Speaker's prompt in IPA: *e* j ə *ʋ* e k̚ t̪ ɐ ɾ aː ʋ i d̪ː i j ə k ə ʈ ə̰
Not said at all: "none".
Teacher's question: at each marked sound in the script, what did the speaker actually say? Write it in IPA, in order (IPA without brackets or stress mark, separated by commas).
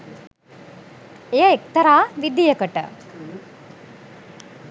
e, none